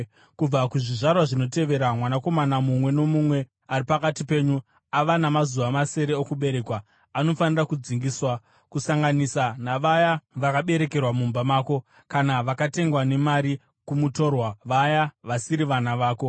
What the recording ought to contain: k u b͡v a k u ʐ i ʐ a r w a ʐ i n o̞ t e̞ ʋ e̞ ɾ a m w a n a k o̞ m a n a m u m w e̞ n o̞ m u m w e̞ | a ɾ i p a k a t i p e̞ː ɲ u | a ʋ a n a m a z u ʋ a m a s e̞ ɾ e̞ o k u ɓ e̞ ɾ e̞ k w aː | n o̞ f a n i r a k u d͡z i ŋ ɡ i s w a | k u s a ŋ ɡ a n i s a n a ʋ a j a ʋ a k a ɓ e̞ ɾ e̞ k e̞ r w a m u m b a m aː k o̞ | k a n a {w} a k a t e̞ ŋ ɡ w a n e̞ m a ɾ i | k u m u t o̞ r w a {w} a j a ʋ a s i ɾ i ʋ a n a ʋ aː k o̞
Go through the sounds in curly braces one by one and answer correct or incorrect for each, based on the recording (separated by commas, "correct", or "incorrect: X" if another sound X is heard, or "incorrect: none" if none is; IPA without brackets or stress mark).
incorrect: ʋ, incorrect: ʋ